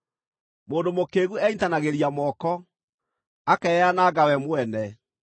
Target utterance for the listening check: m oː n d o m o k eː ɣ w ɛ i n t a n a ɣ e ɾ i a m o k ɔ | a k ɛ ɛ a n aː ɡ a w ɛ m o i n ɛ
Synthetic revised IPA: m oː n d o m o k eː ɣ u ɛ i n t a n a ɣ e ɾ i a m ɔ k ɔ | a k ɛ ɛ a n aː ɡ a w ɛ m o ɛ n ɛ